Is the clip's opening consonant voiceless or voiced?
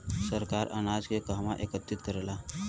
voiceless